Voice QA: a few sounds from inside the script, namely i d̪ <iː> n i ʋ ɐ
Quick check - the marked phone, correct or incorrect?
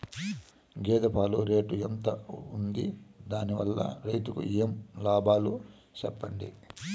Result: incorrect